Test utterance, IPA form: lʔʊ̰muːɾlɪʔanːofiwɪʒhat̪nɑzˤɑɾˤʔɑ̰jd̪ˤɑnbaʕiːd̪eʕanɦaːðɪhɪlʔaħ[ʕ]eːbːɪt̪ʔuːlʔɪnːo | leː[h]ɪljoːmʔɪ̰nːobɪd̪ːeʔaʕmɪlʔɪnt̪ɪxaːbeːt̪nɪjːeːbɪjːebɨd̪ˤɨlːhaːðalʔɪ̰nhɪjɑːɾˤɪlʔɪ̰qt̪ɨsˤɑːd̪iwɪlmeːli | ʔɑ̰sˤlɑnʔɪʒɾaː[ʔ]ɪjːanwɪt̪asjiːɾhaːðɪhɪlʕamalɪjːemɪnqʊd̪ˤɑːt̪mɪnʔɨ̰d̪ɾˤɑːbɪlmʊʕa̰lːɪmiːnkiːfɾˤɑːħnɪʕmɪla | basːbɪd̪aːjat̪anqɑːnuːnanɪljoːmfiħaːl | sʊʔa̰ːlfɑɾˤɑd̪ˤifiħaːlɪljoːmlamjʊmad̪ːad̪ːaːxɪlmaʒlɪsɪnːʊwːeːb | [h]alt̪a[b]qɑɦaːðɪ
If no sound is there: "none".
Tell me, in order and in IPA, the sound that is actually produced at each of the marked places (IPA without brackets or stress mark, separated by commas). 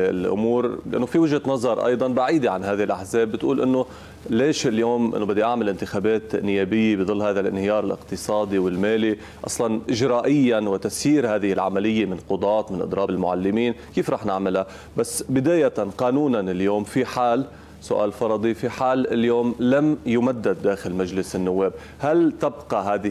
z, ʃ, ʔ, h, b